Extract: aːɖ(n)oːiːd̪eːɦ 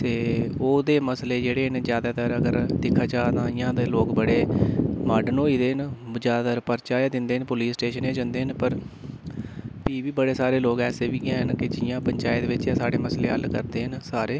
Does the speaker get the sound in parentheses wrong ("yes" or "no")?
no